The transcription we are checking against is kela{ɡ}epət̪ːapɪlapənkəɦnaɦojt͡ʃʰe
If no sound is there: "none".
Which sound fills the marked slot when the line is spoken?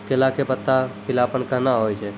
k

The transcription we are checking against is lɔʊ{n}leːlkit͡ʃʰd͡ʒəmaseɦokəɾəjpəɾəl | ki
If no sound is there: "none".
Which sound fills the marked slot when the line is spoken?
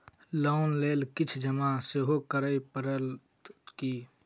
n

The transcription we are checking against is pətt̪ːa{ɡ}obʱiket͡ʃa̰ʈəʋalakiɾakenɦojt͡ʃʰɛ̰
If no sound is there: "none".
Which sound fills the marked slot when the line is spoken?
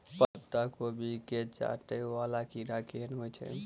k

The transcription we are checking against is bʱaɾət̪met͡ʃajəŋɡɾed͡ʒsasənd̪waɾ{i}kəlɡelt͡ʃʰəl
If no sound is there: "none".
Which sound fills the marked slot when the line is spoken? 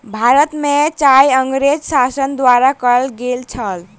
a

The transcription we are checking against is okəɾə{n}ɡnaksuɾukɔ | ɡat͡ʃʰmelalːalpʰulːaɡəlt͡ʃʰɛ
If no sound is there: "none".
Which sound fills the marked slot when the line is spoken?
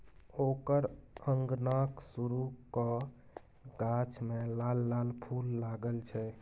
ŋ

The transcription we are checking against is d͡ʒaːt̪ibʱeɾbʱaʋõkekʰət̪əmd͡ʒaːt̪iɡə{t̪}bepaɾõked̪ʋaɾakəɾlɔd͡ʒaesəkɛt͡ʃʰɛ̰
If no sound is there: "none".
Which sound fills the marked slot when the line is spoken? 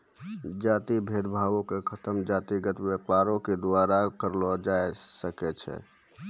t̪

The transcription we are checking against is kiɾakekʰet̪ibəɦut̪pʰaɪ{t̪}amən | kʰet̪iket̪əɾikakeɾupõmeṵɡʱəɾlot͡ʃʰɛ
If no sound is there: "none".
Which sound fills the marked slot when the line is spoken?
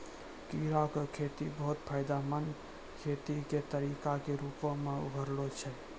d̪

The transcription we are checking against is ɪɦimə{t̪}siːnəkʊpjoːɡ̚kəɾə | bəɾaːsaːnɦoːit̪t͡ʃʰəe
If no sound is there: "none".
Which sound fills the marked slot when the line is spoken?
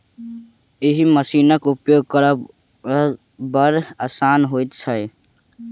none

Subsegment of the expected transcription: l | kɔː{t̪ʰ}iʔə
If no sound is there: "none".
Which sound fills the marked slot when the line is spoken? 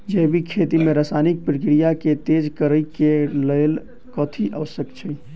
t̪ʰ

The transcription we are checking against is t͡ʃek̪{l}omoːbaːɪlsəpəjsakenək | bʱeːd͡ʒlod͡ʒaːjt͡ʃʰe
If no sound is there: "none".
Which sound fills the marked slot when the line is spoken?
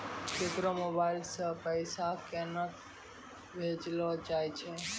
ɾ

